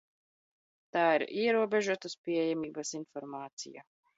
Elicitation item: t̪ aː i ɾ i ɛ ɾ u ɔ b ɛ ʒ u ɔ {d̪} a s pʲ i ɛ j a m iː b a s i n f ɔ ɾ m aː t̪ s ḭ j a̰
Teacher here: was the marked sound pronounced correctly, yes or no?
no